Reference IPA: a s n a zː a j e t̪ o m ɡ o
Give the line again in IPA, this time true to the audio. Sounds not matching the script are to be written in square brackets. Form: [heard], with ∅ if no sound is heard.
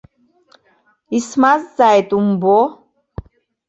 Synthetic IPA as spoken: [i] s [m] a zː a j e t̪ [u] m [b] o